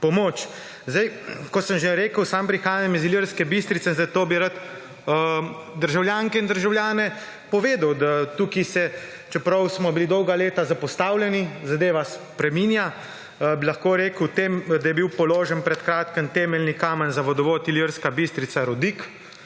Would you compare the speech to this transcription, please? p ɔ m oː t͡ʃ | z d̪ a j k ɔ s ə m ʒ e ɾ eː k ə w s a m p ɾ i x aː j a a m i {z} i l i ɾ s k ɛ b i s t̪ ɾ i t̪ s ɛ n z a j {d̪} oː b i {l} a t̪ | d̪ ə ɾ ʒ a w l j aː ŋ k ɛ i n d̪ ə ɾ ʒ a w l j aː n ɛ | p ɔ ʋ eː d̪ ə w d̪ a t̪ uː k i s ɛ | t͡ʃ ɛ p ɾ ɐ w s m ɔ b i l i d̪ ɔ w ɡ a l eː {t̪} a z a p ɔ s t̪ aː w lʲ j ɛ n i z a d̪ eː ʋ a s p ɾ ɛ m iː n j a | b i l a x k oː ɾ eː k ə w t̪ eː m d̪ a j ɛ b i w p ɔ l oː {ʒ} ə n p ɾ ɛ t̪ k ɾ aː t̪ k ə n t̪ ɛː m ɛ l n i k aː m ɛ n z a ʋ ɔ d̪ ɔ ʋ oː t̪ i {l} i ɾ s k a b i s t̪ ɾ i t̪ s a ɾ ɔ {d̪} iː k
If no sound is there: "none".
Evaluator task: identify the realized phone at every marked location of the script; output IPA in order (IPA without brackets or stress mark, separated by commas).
z, t̪, ɾ, t̪, ʒ, l, d̪